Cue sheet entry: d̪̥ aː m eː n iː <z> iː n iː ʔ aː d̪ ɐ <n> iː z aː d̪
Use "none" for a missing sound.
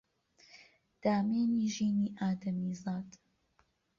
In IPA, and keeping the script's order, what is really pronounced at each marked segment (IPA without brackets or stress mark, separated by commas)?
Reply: ʒ, m